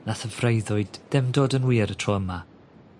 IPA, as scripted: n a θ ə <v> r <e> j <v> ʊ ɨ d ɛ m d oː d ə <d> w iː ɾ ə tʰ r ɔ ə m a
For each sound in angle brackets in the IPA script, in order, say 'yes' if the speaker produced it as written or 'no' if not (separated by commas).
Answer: yes, yes, no, no